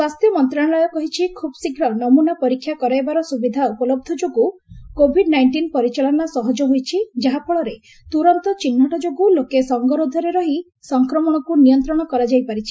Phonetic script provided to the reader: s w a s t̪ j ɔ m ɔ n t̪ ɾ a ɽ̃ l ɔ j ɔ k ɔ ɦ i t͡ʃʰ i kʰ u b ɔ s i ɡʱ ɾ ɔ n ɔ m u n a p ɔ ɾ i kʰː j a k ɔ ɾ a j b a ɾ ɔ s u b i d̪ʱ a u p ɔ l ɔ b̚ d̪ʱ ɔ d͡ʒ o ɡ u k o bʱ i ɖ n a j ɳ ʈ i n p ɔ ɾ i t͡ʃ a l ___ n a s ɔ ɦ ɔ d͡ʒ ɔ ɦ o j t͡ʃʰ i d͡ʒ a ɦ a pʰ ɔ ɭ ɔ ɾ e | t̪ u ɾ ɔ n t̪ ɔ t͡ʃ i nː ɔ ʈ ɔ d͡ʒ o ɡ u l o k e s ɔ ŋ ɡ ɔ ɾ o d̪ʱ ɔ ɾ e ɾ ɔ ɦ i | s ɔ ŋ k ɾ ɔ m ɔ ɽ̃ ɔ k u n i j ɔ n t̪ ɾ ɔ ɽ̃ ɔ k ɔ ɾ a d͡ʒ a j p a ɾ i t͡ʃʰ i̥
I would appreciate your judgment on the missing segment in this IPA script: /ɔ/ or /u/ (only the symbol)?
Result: ɔ